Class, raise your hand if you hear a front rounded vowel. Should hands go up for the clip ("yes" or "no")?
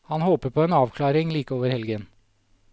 no